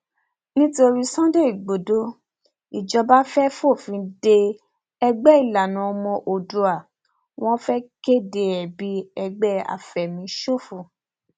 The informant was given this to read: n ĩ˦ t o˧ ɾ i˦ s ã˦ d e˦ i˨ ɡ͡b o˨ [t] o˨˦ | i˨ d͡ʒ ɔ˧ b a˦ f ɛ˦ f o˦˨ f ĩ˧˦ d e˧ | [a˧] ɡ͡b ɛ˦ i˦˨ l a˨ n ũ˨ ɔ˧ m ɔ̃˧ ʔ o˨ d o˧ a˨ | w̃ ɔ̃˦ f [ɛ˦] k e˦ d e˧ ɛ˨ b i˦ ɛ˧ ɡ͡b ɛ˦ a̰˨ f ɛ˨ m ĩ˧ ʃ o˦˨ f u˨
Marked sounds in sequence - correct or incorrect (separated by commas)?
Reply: incorrect, incorrect, correct